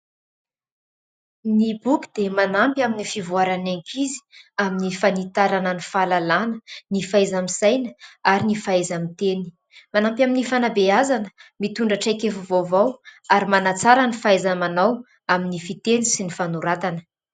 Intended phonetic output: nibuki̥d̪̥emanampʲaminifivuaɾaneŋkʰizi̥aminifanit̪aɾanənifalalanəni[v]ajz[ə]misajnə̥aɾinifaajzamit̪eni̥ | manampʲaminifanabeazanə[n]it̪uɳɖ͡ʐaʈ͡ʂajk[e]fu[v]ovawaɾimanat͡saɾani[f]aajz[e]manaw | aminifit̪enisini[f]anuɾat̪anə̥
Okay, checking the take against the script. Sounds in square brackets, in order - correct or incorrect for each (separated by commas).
incorrect, incorrect, incorrect, correct, correct, correct, incorrect, correct